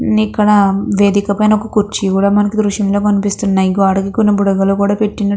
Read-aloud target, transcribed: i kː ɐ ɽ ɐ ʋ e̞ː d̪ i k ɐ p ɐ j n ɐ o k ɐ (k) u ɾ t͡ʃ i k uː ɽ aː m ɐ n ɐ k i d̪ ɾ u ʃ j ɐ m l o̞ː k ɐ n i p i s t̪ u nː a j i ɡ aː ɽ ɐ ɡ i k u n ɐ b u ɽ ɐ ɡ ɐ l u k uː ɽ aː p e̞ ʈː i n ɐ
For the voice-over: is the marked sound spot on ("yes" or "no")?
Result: yes